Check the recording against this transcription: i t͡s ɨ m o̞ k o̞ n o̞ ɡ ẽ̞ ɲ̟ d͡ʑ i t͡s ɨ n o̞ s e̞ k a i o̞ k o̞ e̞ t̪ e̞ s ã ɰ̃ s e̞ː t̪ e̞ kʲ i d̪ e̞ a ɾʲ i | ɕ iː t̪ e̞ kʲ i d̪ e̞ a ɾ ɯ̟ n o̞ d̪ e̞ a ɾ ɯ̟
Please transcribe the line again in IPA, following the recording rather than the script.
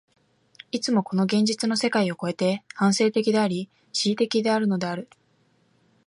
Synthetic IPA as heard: i t͡s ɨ m o̞ k o̞ n o̞ ɡ ẽ̞ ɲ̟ d͡ʑ i t͡s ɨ n o̞ s e̞ k a i o̞ k o̞ e̞ t̪ e̞ h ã ɰ̃ s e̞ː t̪ e̞ kʲ i d̪ e̞ a ɾʲ i | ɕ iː t̪ e̞ kʲ i d̪ e̞ a ɾ ɯ̟ n o̞ d̪ e̞ a ɾ ɯ̟